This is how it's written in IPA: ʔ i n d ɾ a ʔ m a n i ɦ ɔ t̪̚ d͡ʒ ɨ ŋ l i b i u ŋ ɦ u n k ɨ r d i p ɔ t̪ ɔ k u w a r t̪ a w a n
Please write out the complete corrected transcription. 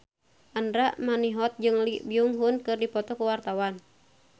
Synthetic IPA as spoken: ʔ a n d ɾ a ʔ m a n i ɦ ɔ t̪̚ d͡ʒ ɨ ŋ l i b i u ŋ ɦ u n k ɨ r d i p ɔ t̪ ɔ k u w a r t̪ a w a n